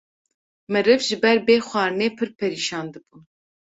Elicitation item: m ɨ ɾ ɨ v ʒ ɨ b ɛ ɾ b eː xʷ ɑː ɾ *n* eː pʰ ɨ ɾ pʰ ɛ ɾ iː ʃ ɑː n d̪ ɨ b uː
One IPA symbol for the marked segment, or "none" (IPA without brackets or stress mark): n